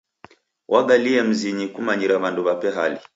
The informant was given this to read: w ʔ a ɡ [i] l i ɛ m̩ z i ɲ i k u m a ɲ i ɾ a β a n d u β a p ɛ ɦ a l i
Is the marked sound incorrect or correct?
incorrect